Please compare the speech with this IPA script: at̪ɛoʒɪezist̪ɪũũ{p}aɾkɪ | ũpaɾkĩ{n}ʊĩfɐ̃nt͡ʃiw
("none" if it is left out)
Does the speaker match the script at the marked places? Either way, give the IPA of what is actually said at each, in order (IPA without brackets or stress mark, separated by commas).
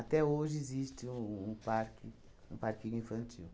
p, ɲ